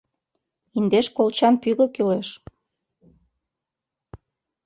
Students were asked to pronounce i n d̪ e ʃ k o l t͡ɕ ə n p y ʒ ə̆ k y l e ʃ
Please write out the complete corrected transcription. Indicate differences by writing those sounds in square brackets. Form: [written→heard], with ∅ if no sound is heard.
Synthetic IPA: i n d̪ e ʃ k o l t͡ɕ [ə→ɑ] n p y [ʒ→ɣ] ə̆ k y l e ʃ